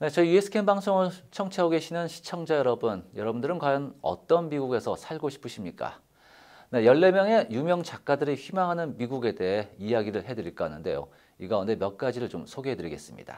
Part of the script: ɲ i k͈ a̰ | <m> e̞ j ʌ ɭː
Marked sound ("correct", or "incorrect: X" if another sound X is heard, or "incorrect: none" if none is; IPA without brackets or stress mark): incorrect: n